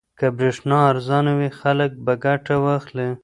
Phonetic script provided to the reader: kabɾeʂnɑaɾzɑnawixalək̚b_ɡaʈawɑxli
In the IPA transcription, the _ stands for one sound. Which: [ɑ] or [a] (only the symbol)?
a